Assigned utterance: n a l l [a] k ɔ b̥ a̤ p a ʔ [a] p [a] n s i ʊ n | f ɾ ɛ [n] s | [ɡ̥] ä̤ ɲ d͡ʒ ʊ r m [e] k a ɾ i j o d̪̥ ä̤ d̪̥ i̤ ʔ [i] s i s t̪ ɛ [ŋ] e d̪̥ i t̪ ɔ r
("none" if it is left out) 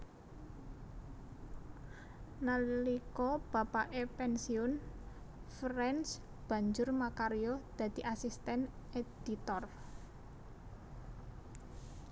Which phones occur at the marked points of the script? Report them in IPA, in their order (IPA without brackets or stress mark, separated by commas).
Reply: i, e, ɛ, n, b̥, a, a, n